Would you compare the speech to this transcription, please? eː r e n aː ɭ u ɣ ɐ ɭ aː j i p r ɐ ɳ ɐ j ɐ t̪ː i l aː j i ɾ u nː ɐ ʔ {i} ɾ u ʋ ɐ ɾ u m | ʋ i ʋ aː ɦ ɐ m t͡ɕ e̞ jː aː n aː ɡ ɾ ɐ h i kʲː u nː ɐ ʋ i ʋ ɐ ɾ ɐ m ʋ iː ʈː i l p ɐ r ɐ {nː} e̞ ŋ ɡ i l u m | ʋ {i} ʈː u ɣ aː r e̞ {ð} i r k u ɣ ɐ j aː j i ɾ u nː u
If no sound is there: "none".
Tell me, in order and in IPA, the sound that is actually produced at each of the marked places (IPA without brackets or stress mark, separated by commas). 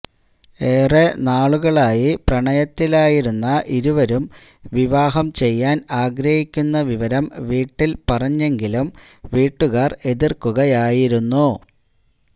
i, ɲː, iː, ð